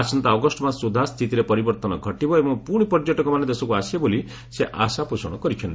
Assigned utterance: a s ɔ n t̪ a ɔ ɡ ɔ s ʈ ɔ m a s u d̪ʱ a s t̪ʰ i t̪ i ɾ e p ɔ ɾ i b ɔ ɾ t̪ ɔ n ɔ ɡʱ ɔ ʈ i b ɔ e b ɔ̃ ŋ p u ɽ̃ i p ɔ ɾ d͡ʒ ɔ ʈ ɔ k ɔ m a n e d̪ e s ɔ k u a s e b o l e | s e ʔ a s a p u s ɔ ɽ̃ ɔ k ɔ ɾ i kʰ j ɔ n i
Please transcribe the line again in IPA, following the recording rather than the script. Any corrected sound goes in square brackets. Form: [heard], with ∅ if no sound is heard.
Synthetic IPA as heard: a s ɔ n t̪ a ɔ ɡ ɔ s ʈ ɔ m a s u d̪ʱ a s t̪ʰ i t̪ i ɾ e p ɔ ɾ i b ɔ ɾ t̪ ɔ n ɔ ɡʱ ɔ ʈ i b ɔ e b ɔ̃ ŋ p u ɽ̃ i p ɔ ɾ d͡ʒ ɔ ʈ ɔ k ɔ m a n e d̪ e s ɔ k u a s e b o l [i] | s e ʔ a s a p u s ɔ ɽ̃ ɔ k ɔ ɾ i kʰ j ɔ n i